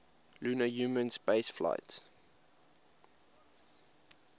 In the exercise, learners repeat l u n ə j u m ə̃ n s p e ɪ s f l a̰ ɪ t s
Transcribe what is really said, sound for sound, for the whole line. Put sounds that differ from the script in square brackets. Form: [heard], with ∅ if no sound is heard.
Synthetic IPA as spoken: l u n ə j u m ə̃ n s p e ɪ s f l a̰ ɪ t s